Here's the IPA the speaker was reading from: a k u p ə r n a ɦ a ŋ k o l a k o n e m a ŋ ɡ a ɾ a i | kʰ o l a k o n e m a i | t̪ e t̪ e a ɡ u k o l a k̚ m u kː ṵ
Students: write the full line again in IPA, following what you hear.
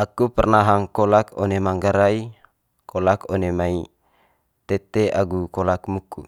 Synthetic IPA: a k u p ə r n a ɦ a ŋ k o l a k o n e m a ŋ ɡ a ɾ a i | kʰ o l a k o n e m a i | t̪ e t̪ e a ɡ u k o l a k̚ m u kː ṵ